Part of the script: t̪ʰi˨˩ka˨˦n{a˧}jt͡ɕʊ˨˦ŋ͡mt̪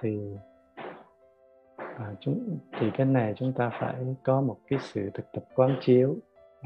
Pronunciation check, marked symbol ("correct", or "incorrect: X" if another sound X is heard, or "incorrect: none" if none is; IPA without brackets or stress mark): incorrect: a˨˩